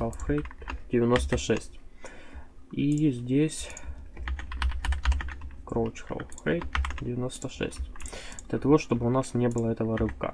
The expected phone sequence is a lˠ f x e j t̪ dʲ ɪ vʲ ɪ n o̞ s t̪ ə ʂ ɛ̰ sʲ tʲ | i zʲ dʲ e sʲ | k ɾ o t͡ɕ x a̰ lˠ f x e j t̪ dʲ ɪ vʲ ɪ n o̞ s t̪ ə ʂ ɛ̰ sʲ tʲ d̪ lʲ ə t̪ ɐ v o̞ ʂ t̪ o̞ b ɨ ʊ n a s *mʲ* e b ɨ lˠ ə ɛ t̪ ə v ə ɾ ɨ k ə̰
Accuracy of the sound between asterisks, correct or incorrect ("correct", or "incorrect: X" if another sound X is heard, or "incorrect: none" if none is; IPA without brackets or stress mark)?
incorrect: nʲ